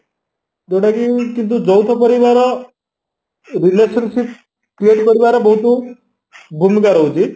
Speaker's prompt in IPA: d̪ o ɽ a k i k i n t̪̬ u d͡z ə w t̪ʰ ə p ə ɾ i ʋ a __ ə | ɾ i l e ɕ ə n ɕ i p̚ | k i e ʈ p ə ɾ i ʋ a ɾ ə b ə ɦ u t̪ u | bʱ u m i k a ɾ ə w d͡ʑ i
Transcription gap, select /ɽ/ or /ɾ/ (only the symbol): ɾ